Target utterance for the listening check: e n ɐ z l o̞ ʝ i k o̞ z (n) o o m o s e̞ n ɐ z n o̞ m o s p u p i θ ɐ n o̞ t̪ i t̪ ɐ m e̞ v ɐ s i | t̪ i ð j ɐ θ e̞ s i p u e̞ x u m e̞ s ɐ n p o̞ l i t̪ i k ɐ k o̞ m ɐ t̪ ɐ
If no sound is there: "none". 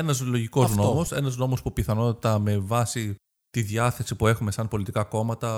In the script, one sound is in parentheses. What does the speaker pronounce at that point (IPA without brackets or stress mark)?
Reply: n